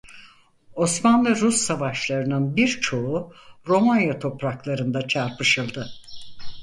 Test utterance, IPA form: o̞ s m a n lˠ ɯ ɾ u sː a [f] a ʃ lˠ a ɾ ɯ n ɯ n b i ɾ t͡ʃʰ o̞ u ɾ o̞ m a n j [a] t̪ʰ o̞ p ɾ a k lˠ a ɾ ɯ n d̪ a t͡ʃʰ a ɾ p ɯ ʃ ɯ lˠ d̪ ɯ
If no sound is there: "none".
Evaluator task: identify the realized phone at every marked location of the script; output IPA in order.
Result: v, a

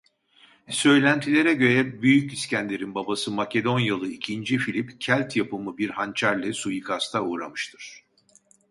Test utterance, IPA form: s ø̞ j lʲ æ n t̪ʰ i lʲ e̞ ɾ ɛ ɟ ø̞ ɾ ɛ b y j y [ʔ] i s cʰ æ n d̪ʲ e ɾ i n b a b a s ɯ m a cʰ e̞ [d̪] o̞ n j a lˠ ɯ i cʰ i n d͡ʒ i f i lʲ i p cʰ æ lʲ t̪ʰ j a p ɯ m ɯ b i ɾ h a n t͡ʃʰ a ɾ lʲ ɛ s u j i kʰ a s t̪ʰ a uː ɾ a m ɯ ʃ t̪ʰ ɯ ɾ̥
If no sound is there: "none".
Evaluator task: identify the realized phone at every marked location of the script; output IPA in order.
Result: c, d̪

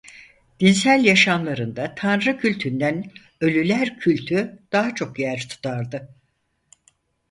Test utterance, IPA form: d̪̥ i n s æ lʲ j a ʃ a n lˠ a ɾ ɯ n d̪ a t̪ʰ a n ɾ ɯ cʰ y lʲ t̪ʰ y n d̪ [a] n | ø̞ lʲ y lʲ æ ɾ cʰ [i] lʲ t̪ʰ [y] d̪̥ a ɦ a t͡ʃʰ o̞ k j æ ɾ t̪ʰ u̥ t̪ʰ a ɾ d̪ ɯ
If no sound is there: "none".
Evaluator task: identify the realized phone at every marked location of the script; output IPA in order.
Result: æ, y, y

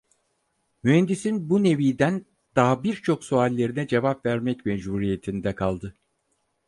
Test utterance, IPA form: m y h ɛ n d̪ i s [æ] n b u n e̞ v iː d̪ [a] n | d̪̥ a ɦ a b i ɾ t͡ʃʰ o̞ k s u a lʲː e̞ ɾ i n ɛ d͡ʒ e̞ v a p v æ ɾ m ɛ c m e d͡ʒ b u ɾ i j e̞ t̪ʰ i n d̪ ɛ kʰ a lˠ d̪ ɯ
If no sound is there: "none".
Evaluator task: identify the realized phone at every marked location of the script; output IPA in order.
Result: i, æ

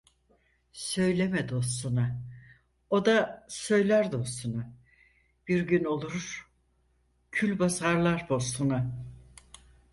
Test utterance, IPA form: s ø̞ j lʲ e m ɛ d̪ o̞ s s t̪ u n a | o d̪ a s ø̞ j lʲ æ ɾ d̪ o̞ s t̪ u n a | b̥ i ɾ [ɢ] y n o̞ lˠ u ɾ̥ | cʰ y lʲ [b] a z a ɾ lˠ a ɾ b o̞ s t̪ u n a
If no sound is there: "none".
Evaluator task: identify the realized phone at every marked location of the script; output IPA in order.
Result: ɟ, b

